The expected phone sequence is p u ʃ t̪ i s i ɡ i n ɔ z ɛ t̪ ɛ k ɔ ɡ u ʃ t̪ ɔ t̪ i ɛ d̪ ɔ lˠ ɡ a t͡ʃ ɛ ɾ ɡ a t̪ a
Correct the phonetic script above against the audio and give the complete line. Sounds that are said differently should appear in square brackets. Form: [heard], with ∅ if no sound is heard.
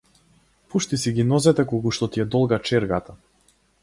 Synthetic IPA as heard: p u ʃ t̪ i s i ɡ i n ɔ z ɛ t̪ ɛ k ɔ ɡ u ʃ t̪ ɔ t̪ i ɛ d̪ ɔ lˠ ɡ a t͡ʃ ɛ ɾ ɡ a t̪ a